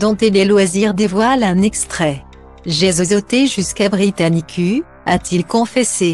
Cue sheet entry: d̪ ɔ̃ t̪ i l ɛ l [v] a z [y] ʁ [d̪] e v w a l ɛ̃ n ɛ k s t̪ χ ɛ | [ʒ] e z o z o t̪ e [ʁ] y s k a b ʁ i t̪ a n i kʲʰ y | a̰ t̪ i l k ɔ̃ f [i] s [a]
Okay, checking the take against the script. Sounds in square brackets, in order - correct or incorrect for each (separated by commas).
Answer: incorrect, incorrect, correct, correct, incorrect, incorrect, incorrect